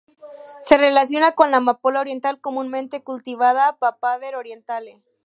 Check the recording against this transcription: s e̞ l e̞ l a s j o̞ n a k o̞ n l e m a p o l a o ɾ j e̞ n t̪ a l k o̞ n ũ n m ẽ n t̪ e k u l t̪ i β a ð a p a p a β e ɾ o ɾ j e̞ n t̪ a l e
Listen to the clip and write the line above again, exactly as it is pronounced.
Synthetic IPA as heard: s e̞ r e̞ l a s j o̞ n a k o̞ n l a m a p o l a o ɾ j e̞ n t̪ a l k o̞ m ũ n m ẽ n t̪ e k u l t̪ i β a ð a p a p a β e ɾ o ɾ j e̞ n t̪ a l e

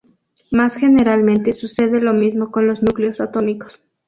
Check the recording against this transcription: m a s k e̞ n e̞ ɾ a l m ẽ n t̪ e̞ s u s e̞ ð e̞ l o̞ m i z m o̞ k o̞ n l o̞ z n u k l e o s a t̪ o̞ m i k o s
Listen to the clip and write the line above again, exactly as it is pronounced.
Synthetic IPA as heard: m a s x e̞ n e̞ ɾ a l m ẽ n t̪ e̞ s u s e̞ ð e̞ l o̞ m i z m o̞ k o̞ n l o̞ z n u k l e o s a t̪ o̞ m i k o s

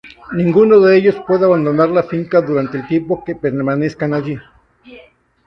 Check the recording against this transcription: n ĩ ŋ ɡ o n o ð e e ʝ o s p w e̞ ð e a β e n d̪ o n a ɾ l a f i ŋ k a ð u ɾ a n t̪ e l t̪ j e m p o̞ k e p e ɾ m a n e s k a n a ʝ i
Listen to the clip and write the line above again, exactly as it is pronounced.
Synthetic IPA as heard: n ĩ ŋ ɡ u n o ð e e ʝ o s p w e̞ ð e a β a n d̪ o n a ɾ l a f i ŋ k a ð u ɾ a n t̪ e l t̪ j e m p o̞ k e p e ɾ m a n e s k a n a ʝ i

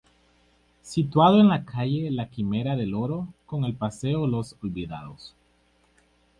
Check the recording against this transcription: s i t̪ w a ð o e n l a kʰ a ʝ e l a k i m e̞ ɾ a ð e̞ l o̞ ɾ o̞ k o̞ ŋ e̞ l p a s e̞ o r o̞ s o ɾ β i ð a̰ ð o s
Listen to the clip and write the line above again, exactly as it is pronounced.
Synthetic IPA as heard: s i t̪ w a ð o e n l a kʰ a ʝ e l a k i m e̞ ɾ a ð e̞ l o̞ ɾ o̞ k o̞ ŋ e̞ l p a s e̞ o l o̞ s o l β i ð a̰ ð o s

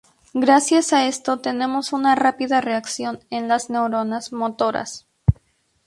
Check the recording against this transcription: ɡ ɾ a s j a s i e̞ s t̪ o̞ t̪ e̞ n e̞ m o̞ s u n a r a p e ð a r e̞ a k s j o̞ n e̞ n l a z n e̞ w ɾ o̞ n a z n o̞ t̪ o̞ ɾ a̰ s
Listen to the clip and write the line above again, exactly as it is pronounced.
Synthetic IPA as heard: ɡ ɾ a s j a s a e̞ s t̪ o̞ t̪ e̞ n e̞ m o̞ s u n a r a p i ð a r e̞ a k s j o̞ n e̞ n l a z n e̞ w ɾ o̞ n a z m o̞ t̪ o̞ ɾ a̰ s

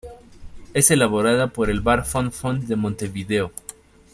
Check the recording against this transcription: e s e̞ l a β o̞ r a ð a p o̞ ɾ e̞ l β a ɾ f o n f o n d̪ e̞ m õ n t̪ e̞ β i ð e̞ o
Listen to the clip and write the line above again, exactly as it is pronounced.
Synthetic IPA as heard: e s e̞ l a β o̞ ɾ a ð a p o̞ ɾ e̞ l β a ɾ f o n f o n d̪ e̞ m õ n t̪ e̞ β i ð e̞ o

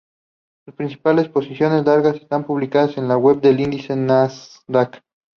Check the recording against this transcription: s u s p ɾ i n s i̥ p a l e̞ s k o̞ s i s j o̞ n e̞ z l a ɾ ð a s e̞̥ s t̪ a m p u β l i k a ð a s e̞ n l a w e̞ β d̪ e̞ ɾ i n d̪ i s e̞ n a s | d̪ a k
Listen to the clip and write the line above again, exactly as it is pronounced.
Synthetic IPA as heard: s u s p ɾ i n s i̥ p a l e̞ s p o̞ s i s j o̞ n e̞ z l a ɾ ɣ a s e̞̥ s t̪ a m p u β l i k a ð a s e̞ n l a w e̞ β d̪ e̞ l i n d̪ i s e̞ n a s | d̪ a k

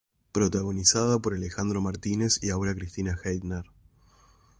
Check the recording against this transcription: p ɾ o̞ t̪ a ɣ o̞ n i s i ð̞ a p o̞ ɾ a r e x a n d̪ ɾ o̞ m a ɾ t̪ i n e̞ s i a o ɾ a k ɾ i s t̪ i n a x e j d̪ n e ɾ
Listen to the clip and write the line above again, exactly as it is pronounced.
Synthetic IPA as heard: p ɾ o̞ t̪ a ɣ o̞ n i s a ð̞ a p o̞ ɾ a l e x a n d̪ ɾ o̞ m a ɾ t̪ i n e̞ s i a o ɾ a k ɾ i s t̪ i n a x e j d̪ n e ɾ

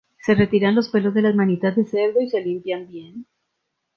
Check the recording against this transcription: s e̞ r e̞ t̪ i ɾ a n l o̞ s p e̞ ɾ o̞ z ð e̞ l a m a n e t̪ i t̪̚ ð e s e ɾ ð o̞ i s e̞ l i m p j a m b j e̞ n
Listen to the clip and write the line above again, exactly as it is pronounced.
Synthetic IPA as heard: s e̞ r e̞ t̪ i ɾ a n l o̞ s p e̞ l o̞ z ð e̞ l a m a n i t̪ a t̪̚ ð e s e ɾ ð o̞ i s e̞ l i m p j a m b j e̞ n

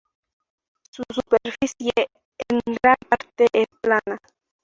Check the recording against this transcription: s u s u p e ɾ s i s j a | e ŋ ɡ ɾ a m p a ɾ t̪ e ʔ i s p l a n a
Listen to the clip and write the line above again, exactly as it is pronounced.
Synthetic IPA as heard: s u s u p e ɾ f i s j e | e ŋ ɡ ɾ a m p a ɾ t̪ e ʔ e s p l a n a

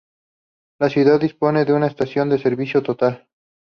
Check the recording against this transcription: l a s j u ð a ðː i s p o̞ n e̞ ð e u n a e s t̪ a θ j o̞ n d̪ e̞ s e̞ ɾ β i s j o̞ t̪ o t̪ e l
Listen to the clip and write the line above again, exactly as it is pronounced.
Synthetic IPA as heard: l a s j u ð a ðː i s p o̞ n e̞ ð e u n a e s t̪ a s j o̞ n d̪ e̞ s e̞ ɾ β i s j o̞ t̪ o t̪ a l

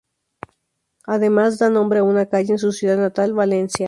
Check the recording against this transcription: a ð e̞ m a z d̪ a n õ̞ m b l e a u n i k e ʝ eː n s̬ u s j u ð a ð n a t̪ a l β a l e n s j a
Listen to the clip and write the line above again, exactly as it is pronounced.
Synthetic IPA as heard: a ð e̞ m a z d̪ a n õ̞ m b ɾ e a u n a k a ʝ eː n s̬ u s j u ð a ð n a t̪ a l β a l e n s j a

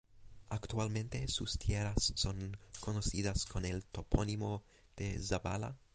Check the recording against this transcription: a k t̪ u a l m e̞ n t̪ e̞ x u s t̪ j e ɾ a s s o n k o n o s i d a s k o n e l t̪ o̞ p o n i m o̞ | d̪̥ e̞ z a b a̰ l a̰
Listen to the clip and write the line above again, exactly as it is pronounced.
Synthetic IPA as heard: a k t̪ u a l m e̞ n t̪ e̞ s u s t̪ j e ɾ a s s o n k o n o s i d a s k o n e l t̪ o̞ p o n i m o̞ | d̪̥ e̞ z a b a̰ l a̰

